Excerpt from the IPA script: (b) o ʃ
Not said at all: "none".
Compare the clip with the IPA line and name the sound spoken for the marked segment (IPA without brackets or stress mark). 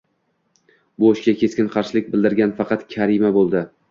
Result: b